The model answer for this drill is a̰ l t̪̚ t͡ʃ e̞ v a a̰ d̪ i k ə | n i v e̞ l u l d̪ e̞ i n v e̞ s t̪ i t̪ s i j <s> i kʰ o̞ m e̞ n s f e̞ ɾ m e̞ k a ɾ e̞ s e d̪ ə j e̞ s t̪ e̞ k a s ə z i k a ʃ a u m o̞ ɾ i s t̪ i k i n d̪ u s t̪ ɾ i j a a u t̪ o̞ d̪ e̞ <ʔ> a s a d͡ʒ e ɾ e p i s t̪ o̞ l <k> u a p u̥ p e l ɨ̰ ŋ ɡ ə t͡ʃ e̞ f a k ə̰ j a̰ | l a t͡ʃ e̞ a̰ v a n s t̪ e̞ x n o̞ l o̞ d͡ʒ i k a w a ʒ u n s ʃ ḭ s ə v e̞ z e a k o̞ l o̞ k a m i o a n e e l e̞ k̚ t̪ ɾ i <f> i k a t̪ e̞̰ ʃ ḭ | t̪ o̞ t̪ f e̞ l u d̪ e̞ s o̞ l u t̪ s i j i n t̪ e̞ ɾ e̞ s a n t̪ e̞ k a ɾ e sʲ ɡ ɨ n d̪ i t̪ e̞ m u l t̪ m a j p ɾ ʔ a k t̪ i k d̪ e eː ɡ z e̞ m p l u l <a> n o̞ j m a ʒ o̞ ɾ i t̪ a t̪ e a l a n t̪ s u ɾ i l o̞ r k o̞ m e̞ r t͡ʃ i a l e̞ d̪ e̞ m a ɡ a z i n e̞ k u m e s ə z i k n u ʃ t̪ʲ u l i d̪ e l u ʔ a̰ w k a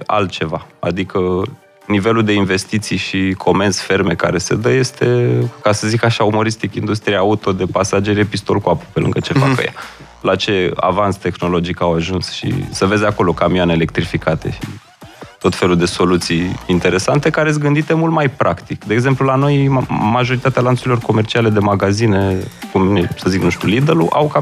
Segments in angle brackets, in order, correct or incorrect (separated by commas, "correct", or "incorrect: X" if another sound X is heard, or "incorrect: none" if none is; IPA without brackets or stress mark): incorrect: ʃ, incorrect: p, correct, correct, correct